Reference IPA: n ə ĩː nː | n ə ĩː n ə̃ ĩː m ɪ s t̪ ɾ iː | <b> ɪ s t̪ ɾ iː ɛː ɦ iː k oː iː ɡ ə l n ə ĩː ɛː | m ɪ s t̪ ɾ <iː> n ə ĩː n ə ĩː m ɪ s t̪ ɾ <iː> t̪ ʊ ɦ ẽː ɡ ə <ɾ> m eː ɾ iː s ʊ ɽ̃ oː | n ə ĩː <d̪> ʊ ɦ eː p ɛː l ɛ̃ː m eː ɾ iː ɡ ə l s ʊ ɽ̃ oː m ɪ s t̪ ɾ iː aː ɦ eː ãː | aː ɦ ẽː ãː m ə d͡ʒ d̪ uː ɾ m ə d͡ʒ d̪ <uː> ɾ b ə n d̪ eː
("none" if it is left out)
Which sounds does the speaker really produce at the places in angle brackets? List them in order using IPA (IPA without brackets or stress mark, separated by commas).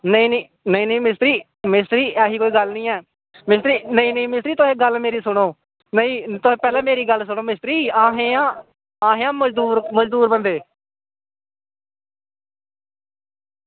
m, iː, iː, l, t̪, uː